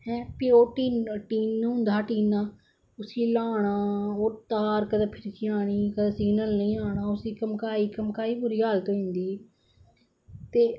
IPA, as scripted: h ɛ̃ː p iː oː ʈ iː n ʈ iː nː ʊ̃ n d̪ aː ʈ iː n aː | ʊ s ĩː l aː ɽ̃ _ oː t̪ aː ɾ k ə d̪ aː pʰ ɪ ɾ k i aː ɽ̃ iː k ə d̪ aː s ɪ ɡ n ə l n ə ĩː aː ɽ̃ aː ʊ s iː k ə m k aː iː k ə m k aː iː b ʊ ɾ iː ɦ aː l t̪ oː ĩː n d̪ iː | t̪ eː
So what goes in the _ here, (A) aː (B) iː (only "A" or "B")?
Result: A